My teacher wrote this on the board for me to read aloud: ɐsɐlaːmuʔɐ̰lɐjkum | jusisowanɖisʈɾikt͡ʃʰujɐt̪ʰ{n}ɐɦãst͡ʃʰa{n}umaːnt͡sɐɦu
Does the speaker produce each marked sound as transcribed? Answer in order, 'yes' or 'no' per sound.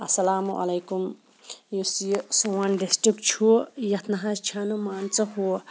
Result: yes, yes

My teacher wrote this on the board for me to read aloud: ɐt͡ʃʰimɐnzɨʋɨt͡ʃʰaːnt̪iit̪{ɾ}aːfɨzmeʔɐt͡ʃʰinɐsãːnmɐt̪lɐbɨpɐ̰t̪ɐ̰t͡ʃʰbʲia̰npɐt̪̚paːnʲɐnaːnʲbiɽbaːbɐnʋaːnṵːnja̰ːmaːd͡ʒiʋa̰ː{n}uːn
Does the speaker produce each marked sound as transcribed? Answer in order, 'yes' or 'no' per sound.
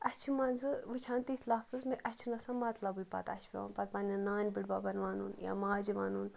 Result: no, yes

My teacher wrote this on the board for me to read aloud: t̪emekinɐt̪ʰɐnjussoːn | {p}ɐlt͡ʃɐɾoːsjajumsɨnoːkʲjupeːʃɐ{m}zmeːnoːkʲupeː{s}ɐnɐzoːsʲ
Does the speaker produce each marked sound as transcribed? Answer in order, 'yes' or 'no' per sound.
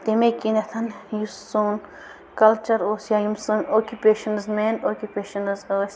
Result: no, no, no

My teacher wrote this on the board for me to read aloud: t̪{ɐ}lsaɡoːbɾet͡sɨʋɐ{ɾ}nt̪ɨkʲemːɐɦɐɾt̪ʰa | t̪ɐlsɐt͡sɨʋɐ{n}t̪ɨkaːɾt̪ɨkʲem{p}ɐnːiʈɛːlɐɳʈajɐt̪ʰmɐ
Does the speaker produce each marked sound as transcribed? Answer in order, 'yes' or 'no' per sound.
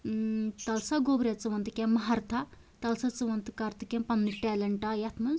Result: yes, no, yes, yes

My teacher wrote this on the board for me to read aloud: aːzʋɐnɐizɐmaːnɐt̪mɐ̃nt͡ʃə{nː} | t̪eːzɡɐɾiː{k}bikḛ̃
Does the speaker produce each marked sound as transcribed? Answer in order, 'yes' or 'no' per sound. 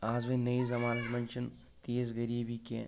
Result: no, no

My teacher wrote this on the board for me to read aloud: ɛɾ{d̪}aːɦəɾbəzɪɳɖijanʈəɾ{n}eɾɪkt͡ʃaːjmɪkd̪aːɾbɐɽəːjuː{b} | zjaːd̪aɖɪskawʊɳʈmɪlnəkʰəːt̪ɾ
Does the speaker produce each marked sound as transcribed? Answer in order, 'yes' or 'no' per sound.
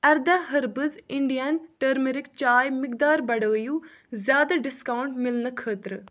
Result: yes, no, no

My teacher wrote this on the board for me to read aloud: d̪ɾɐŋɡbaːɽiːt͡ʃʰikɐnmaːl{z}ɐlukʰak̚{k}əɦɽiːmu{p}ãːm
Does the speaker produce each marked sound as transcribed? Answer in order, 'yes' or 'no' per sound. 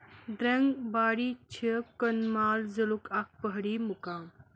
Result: yes, no, no

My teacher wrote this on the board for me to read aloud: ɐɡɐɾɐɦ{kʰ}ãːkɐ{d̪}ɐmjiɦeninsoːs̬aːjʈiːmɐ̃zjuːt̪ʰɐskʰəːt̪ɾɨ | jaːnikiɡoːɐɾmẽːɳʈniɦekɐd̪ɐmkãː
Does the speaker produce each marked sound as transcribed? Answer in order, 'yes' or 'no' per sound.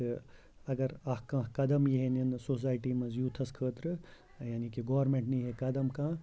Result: no, yes

